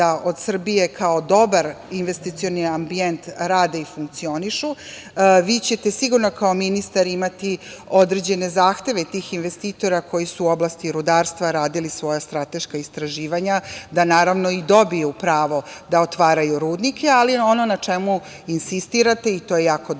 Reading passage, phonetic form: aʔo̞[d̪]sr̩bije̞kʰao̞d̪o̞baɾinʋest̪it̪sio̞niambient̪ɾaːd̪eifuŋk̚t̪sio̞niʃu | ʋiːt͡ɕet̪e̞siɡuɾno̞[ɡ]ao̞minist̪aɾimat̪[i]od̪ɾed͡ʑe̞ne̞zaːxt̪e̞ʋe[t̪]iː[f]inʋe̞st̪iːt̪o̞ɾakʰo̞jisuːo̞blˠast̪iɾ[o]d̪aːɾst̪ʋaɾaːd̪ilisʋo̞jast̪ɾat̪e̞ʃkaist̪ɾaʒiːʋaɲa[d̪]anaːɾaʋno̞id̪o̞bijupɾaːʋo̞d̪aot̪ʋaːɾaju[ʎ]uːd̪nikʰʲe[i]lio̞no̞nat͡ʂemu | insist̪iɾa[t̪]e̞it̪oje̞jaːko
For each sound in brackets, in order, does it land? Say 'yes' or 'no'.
yes, no, yes, yes, no, no, yes, no, no, yes

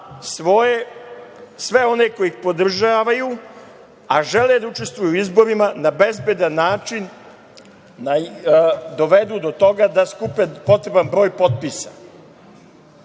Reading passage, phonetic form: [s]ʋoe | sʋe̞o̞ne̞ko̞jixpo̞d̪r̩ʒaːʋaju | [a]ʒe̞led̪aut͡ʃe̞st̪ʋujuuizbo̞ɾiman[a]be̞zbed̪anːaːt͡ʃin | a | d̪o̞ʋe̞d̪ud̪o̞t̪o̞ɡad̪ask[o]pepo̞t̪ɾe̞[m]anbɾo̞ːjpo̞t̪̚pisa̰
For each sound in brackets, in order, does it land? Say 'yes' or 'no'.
yes, yes, yes, no, no

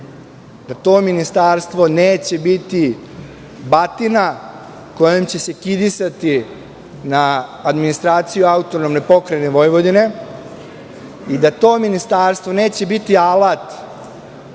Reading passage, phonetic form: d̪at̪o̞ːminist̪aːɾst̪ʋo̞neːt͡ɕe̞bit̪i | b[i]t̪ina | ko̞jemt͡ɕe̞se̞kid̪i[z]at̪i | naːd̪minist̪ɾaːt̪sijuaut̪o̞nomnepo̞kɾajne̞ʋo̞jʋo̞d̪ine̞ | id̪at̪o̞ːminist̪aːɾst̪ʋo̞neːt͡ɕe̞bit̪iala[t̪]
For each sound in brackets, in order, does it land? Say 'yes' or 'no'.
no, no, yes

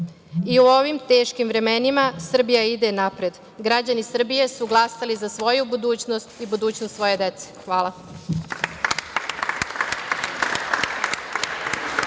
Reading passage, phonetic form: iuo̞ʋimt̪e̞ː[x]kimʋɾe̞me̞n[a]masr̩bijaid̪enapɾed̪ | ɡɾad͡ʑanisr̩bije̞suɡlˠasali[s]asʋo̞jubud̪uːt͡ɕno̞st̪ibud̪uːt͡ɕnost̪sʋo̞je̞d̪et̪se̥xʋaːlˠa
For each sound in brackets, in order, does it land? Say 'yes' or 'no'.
no, no, no

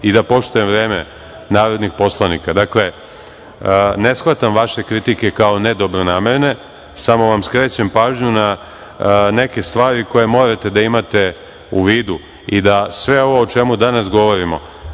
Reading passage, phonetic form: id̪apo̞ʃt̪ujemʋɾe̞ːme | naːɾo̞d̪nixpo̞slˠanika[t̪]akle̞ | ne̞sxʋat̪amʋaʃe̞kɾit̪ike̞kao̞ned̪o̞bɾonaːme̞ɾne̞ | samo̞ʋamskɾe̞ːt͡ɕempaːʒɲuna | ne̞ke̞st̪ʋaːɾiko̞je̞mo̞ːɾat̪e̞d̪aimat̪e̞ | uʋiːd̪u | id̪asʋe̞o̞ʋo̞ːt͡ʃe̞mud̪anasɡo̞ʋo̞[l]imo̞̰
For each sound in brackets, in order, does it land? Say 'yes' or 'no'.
no, no

